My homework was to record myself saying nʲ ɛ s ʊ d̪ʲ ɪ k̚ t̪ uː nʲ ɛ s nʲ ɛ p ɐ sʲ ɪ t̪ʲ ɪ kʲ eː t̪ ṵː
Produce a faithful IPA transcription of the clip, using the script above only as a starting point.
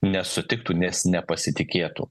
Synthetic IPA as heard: nʲ ɛ s ʊ t̪ʲ ɪ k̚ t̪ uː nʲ ɛ s nʲ ɛ p ɐ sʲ ɪ t̪ʲ ɪ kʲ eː t̪ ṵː